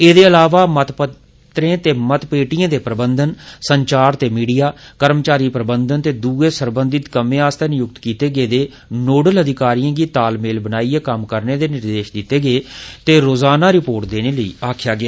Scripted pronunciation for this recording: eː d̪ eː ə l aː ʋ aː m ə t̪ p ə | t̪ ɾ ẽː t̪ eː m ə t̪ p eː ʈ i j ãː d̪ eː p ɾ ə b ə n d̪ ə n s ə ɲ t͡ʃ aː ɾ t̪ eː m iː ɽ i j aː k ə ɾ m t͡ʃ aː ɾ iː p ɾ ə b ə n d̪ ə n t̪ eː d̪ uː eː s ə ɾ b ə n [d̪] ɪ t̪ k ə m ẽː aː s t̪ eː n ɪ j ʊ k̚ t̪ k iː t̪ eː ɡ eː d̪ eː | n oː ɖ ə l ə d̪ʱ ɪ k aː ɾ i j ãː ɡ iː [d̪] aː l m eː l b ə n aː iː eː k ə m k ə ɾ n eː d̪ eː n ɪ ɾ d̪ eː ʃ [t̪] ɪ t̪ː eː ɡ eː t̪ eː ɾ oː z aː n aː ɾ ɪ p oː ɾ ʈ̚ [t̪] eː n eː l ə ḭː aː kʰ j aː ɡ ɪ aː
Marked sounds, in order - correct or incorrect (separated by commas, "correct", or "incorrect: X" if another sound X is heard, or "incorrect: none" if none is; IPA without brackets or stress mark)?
correct, incorrect: t̪, incorrect: d̪, incorrect: d̪